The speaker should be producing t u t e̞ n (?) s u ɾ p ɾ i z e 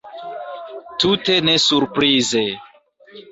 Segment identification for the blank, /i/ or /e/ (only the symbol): e